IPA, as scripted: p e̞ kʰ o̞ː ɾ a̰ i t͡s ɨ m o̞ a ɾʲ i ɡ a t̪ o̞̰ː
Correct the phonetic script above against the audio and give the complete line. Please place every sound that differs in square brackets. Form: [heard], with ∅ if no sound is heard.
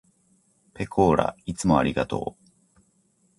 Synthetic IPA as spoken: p e̞ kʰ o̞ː ɾ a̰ i t͡s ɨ m o̞ a ɾʲ i ɡ a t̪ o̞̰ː